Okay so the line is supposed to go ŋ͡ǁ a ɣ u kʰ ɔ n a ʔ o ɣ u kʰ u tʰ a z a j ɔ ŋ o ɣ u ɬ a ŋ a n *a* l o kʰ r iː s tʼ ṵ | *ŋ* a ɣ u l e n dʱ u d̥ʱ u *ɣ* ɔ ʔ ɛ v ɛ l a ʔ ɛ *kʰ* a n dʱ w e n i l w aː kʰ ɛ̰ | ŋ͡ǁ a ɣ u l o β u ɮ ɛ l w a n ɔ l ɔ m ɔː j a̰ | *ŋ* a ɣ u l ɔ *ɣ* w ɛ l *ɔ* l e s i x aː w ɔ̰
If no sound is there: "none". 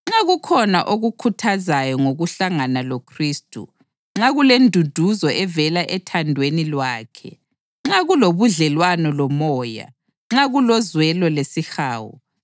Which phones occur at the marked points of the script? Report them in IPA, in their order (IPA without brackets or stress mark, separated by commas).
a, ŋ͡ǁ, z, tʰ, ŋ͡ǁ, z, ɔ